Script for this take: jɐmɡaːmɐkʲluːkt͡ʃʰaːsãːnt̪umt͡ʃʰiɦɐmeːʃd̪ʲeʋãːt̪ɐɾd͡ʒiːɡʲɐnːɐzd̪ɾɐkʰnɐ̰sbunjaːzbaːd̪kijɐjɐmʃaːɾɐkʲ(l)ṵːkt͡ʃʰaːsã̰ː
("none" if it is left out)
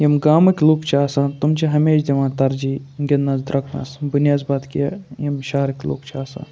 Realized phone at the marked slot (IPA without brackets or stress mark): l